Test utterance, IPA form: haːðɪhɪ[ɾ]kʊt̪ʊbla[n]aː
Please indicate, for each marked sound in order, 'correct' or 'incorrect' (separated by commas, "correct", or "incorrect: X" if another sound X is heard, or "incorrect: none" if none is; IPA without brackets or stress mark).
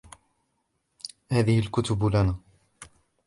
incorrect: l, correct